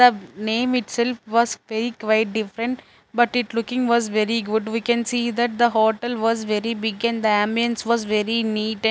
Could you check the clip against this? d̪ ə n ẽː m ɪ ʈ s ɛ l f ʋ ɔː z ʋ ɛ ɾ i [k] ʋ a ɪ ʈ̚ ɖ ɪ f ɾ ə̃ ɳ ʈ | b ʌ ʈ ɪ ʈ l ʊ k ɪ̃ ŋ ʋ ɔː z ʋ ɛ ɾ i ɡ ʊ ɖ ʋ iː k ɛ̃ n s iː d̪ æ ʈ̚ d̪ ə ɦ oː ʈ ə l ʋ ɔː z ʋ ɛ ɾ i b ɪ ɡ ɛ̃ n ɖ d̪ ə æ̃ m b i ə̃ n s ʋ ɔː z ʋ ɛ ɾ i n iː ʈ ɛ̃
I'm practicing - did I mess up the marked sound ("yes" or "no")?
no